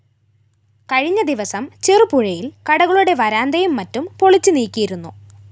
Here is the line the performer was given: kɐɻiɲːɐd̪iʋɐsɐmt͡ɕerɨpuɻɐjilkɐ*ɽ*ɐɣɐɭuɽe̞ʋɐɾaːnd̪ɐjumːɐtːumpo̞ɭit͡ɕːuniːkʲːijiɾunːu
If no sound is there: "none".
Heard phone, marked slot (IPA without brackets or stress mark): ɽ